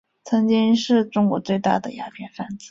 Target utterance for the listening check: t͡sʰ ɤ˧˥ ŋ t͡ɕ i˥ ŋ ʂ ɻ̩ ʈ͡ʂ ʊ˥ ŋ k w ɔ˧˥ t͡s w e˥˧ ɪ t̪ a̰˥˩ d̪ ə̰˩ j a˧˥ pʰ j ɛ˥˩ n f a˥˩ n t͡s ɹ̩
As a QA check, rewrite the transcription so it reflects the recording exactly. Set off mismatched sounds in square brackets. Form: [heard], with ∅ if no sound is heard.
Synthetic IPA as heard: t͡sʰ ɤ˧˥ ŋ t͡ɕ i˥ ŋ ʂ ɻ̩ ʈ͡ʂ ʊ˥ ŋ k w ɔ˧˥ t͡s w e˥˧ ɪ t̪ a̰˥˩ d̪ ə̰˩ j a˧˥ pʰ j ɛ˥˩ n f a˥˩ n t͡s ɹ̩